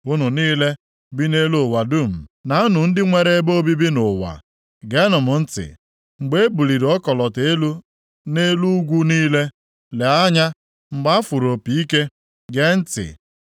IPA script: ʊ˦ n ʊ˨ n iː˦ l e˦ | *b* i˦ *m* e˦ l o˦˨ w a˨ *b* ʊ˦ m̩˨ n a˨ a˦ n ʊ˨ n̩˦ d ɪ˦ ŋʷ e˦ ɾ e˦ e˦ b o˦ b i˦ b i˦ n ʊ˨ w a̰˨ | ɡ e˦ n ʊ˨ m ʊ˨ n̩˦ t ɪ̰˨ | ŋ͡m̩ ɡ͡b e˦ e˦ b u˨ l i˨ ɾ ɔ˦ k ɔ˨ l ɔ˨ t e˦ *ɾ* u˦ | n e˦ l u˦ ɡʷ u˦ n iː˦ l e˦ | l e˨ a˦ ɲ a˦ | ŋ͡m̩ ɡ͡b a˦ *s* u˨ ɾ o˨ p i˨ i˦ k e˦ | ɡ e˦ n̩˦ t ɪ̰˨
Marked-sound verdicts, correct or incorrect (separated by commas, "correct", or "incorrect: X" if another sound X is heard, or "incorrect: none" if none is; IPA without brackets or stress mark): correct, incorrect: n, incorrect: d, incorrect: l, incorrect: f